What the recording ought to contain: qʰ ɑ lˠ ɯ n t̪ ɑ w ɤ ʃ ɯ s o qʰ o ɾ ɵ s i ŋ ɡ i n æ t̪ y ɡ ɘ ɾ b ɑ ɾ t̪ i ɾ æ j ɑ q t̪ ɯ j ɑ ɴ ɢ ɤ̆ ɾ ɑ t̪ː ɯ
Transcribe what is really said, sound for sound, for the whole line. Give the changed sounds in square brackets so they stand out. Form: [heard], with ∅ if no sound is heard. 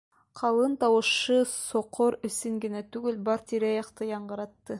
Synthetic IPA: qʰ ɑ lˠ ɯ n t̪ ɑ w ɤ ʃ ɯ s o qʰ o ɾ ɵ s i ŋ ɡ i n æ t̪ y ɡ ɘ [l] b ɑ ɾ t̪ i ɾ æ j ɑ q t̪ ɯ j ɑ ɴ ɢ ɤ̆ ɾ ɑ t̪ː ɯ